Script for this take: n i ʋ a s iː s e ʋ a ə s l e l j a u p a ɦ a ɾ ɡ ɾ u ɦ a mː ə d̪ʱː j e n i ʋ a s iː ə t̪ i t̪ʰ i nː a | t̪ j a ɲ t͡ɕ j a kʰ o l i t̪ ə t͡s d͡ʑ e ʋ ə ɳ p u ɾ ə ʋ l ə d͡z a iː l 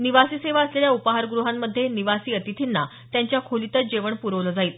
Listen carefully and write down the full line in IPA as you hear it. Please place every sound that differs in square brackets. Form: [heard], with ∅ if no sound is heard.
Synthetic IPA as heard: n i ʋ a s iː s e ʋ a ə s l e l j a u p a ɦ a ɾ ɡ ɾ u ɦ a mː ə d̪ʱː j e n i ʋ a s iː ə t̪ i t̪ʰ i nː a | t̪ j a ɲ t͡ɕ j a kʰ o l i t̪ ə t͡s d͡ʑ e ʋ ə ɳ p u ɾ ə ʋ l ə d͡z a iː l